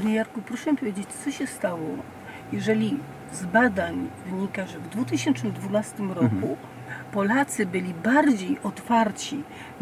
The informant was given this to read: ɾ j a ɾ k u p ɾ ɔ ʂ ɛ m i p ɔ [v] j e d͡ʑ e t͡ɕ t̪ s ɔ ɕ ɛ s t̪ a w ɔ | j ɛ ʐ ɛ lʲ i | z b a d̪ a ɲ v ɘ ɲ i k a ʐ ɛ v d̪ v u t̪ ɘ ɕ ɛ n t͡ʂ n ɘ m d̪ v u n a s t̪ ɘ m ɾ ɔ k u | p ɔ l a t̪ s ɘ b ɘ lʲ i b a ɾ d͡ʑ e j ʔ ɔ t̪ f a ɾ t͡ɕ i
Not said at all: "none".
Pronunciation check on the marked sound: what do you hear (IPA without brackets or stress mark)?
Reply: v